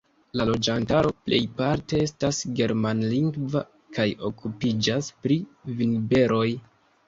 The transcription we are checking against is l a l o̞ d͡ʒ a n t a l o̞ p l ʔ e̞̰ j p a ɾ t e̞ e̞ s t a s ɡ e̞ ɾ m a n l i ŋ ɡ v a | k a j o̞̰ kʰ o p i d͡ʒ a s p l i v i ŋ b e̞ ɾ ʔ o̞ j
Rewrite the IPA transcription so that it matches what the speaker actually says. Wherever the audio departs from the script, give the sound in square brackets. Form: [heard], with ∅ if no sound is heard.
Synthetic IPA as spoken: l a l o̞ d͡ʒ a n t a [ɾ] o̞ p l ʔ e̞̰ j p a ɾ t e̞ e̞ s t a s ɡ e̞ ɾ m a n l i ŋ ɡ v a | k a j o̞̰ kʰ [u] p i d͡ʒ a s p [ɾ] i v i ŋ b e̞ ɾ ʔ o̞ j